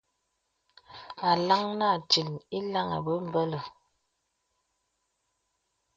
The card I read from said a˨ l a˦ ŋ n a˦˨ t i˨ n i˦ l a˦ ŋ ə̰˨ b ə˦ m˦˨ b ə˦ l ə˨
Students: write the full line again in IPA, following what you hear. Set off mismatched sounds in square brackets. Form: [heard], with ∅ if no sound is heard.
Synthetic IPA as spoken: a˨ l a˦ ŋ n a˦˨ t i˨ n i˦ l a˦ ŋ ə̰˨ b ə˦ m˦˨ b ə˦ l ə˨